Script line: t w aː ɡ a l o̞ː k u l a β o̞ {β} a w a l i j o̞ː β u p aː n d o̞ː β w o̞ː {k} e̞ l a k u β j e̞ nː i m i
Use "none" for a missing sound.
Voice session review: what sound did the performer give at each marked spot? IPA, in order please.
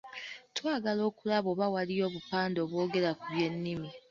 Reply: β, ɡ

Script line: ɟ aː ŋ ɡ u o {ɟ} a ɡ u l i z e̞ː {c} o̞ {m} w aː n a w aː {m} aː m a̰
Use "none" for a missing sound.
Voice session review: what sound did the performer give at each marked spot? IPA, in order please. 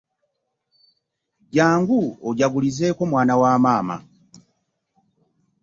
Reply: ɟ, k, m, m

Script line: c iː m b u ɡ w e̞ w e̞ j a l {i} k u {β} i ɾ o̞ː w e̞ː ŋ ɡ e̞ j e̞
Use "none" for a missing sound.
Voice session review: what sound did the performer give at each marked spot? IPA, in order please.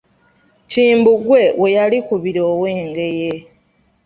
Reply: i, β

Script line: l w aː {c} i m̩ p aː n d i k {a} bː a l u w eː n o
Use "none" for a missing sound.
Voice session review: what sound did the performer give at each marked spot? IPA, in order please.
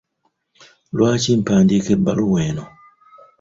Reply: c, e

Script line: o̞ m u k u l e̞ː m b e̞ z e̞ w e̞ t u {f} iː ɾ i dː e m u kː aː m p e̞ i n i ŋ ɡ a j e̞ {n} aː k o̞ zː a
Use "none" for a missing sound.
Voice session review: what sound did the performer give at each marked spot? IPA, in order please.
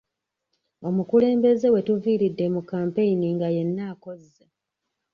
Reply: v, nː

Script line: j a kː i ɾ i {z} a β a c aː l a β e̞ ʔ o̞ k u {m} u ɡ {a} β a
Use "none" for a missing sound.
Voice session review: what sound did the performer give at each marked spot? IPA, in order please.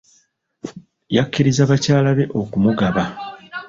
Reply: z, m, a

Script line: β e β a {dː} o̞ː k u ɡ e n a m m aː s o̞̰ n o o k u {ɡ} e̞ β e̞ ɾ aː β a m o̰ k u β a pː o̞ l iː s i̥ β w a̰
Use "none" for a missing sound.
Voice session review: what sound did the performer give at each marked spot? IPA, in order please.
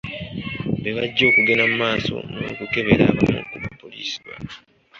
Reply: ɟː, k

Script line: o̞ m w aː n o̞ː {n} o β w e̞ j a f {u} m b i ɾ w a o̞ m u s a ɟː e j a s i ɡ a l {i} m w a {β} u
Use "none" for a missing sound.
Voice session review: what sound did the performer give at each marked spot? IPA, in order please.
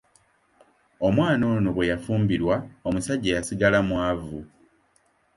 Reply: n, uː, a, v

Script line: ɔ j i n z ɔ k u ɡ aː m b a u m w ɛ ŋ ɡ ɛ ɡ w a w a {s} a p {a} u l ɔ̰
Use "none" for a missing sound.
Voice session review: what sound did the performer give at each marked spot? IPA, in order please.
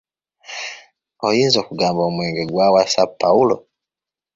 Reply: s, a

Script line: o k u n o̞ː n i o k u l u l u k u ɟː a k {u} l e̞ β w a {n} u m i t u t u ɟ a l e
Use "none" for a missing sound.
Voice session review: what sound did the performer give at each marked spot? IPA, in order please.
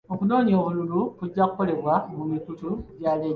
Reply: o, m

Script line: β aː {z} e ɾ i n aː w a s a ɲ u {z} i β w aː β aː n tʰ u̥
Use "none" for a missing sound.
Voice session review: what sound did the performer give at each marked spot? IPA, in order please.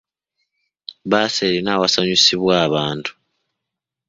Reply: s, s

